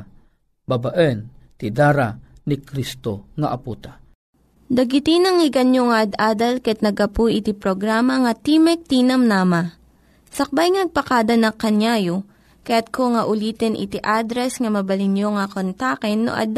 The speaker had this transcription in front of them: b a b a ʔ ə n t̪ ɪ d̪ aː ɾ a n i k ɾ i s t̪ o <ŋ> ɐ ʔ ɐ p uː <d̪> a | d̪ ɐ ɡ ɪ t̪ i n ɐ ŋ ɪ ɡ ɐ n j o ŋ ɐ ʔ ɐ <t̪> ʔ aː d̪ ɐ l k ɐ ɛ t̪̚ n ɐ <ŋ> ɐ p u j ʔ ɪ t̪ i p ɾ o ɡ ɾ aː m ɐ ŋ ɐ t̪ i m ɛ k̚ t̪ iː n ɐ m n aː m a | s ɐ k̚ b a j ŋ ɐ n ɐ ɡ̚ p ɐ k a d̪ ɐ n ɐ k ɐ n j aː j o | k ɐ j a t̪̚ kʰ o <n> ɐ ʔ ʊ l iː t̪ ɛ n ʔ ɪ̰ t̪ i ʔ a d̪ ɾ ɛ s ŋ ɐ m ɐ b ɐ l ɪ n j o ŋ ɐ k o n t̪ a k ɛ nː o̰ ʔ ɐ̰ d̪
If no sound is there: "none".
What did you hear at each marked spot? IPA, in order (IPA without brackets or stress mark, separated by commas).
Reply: ŋ, t̪, d̪, ɡ, ŋ